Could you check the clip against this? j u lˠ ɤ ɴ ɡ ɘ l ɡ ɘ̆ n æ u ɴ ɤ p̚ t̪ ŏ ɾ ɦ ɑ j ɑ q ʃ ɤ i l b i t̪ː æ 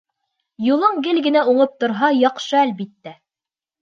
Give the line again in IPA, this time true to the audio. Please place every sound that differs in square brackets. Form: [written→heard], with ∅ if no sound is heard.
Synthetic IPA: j u lˠ ɤ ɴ ɡ ɘ l ɡ ɘ̆ n æ u ɴ ɤ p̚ t̪ ŏ ɾ ɦ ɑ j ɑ q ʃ ɤ [i→æ] l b i t̪ː æ